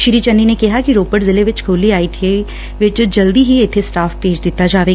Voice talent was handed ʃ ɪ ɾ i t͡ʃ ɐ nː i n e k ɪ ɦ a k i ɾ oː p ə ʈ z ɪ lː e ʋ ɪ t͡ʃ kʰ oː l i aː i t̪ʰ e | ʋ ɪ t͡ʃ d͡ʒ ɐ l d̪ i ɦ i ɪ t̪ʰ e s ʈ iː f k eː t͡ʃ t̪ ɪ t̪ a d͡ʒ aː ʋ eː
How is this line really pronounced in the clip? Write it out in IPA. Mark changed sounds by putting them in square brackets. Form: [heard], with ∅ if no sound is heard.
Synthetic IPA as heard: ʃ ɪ ɾ i t͡ʃ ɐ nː i n e k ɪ ɦ a k i ɾ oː p ə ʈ z ɪ [l] e ʋ ɪ t͡ʃ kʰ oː l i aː i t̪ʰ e | ʋ ɪ t͡ʃ d͡ʒ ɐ l d̪ i ɦ i ɪ t̪ʰ e s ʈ [aː] f [p] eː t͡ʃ [d̪] ɪ t̪ a d͡ʒ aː ʋ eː